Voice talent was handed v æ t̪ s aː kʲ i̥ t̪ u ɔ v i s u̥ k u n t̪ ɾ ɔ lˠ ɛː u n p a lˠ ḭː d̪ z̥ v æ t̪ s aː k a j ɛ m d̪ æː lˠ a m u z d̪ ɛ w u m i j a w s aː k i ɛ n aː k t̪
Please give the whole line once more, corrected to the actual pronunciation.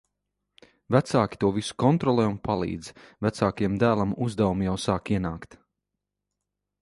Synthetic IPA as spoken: v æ t̪ s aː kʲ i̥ t̪ u ɔ v i s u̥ k ɔ n t̪ ɾ ɔ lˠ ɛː u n p a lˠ ḭː d̪ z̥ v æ t̪ s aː k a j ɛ m d̪ æː lˠ a m u z d̪ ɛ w u m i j a w s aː k i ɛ n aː k t̪